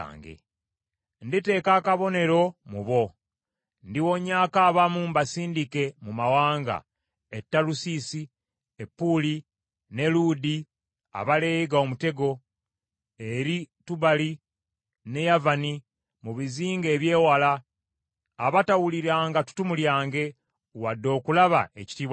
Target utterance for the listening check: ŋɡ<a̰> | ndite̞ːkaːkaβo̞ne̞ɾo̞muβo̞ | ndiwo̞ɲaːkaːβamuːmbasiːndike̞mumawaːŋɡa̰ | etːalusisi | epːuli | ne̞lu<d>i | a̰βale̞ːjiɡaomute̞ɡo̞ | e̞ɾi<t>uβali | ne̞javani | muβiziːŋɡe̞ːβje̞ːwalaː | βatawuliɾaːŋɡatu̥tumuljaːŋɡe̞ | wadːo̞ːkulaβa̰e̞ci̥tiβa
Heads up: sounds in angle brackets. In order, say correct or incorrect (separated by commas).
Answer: incorrect, correct, correct